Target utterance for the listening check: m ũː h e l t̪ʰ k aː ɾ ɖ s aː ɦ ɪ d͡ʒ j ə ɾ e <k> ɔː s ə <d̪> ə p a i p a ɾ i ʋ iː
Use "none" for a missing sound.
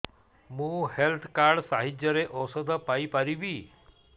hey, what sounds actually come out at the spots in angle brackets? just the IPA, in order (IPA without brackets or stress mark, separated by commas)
ʔ, d̪